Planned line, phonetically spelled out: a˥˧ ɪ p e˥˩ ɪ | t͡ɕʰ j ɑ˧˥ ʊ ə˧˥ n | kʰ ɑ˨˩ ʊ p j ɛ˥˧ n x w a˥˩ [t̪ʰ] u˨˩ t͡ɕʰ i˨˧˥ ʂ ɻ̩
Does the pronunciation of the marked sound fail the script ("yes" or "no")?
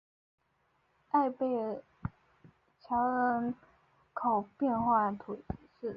no